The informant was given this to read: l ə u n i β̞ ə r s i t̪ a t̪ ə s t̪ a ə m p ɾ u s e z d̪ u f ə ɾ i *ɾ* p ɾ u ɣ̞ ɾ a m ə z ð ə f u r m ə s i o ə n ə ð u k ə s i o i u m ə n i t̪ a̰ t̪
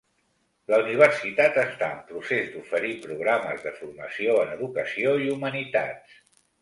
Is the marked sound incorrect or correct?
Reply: incorrect